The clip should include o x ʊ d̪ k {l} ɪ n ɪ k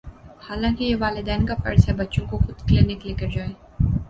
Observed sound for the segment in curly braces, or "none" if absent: l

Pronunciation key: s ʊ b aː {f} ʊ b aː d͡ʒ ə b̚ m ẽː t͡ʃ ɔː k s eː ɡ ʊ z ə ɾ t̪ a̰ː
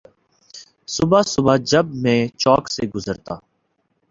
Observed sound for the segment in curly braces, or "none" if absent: s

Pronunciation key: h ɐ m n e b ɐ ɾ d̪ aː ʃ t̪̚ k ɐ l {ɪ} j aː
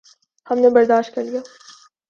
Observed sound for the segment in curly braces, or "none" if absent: i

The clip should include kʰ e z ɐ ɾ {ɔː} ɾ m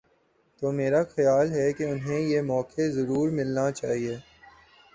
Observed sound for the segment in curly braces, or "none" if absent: uː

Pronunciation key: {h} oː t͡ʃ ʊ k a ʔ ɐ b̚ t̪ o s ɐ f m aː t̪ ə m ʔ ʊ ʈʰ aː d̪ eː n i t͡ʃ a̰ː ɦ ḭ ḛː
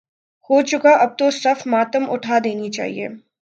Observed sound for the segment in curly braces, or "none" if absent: h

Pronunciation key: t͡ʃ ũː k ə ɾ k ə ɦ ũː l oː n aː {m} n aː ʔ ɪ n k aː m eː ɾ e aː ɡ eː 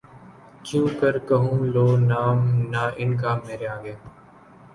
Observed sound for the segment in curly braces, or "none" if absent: m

